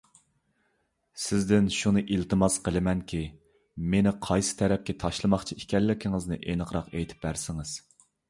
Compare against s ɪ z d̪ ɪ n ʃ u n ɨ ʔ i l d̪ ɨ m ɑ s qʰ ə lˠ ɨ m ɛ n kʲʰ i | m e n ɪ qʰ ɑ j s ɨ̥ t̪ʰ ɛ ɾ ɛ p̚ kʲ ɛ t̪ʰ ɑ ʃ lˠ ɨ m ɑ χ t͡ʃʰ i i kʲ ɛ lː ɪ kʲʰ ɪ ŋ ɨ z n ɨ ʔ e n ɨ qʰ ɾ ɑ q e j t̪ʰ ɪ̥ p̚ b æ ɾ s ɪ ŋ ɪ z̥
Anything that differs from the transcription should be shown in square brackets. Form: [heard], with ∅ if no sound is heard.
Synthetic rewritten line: s ɪ z d̪ ɪ n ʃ u n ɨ ʔ i l [t̪] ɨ m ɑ s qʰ ə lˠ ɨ m ɛ n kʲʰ i | m e n ɪ qʰ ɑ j s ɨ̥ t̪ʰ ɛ ɾ ɛ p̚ kʲ ɛ t̪ʰ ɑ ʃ lˠ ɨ m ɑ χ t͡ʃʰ i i kʲ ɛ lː ɪ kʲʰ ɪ ŋ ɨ z n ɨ ʔ e n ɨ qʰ ɾ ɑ q e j t̪ʰ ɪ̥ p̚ b æ ɾ s ɪ ŋ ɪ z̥